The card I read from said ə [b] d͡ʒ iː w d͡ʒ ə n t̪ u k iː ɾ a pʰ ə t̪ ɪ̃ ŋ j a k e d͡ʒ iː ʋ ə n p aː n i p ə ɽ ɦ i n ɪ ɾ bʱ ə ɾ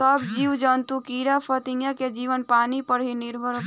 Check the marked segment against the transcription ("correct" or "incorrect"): correct